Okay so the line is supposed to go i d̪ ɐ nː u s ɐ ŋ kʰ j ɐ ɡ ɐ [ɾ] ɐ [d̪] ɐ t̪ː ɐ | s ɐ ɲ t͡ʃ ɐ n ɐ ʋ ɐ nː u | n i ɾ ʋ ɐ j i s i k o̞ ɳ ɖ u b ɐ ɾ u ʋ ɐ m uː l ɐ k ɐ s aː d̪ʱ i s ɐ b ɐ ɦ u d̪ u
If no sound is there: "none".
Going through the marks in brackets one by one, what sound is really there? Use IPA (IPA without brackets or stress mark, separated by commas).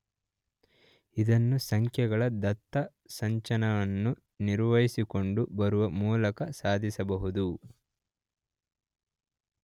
ɭ, d̪